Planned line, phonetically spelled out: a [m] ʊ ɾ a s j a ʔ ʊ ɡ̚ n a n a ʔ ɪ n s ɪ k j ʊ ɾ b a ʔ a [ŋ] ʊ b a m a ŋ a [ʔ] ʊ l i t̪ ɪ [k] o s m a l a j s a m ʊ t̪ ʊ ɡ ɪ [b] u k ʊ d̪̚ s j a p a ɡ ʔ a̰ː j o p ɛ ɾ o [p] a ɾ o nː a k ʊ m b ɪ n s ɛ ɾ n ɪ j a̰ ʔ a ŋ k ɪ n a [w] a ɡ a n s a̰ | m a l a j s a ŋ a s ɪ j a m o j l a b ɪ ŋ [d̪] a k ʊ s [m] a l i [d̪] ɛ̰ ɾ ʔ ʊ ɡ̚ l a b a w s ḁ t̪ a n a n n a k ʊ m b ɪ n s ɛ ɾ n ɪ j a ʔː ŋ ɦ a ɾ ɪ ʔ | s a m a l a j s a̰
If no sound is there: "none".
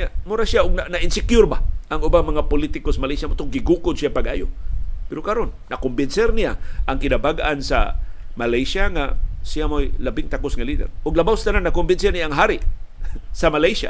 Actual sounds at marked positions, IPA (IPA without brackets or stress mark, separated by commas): m, ŋ, p, k, ɡ, k, b, t̪, ŋ, d̪